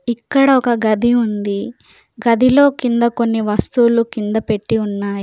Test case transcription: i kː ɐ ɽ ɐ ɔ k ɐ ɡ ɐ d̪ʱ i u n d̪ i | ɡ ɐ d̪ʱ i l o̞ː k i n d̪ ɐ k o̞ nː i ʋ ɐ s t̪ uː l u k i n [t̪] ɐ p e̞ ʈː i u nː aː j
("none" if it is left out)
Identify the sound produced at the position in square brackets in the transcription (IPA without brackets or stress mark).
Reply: d̪